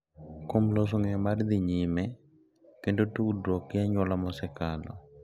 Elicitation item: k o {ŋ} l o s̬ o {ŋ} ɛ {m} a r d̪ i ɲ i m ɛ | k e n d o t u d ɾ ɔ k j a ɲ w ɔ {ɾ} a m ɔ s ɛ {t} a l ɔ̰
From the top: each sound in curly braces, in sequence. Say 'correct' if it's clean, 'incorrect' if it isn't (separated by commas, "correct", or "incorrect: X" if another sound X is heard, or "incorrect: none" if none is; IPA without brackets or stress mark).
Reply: incorrect: m, correct, correct, incorrect: l, incorrect: k